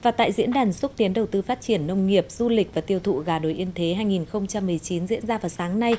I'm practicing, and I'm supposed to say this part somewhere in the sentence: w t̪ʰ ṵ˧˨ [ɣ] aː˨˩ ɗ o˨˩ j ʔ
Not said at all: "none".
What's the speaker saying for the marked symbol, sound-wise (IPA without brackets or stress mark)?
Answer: ɣ